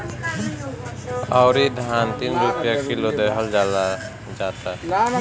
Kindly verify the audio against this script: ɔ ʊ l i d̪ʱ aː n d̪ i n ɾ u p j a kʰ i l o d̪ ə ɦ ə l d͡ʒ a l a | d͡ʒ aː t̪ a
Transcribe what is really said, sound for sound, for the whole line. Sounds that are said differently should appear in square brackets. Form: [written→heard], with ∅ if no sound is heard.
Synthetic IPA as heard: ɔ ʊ [l→ɾ] i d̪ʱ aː n [d̪→t̪] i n ɾ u p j a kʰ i l o d̪ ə ɦ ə l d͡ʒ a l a | d͡ʒ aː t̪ a